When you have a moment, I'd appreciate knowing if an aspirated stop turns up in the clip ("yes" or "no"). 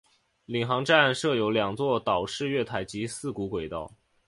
yes